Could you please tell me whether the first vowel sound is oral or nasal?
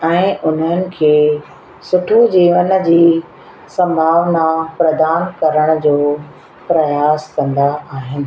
nasal